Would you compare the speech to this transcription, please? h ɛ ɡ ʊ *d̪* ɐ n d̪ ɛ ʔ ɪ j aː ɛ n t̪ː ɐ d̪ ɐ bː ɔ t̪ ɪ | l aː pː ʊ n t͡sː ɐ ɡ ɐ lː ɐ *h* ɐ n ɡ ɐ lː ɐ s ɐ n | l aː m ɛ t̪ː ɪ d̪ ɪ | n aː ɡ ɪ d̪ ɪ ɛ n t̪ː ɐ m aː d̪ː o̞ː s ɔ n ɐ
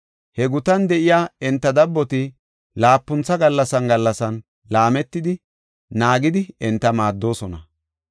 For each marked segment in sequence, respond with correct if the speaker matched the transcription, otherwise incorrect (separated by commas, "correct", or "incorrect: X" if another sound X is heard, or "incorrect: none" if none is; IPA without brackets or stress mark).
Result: incorrect: t̪, incorrect: s